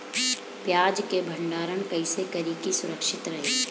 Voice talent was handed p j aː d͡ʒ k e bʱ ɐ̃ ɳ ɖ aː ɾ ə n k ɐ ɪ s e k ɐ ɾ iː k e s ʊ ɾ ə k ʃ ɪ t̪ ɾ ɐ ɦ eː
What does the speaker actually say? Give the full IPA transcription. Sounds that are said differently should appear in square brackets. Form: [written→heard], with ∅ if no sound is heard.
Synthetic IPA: p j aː d͡ʒ k e bʱ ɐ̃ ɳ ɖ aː ɾ ə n k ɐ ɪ s e k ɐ ɾ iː k [e→i] s ʊ ɾ ə k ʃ ɪ t̪ ɾ ɐ ɦ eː